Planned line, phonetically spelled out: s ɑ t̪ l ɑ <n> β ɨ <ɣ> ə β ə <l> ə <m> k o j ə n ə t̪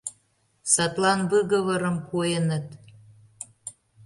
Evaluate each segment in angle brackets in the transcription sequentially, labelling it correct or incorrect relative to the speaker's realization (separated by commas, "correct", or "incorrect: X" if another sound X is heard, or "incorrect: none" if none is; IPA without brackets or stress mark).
correct, correct, incorrect: ɾ, correct